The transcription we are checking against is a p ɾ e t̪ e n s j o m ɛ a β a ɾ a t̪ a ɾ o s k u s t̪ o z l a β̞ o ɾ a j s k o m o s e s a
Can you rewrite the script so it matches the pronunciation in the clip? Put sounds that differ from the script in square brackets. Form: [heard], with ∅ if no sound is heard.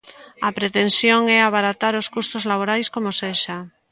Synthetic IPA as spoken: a p ɾ e t̪ e n s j o [ŋ] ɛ a β a ɾ a t̪ a ɾ o s k u s t̪ o z l a β̞ o ɾ a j s k o m o s e [ʃ] a